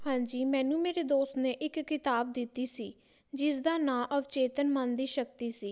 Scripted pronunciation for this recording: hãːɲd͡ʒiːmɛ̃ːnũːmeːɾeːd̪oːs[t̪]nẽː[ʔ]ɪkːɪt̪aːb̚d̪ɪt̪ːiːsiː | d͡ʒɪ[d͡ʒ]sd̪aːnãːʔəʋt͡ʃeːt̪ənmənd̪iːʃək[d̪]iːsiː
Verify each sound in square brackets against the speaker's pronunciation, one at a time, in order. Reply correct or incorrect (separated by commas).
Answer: correct, correct, incorrect, incorrect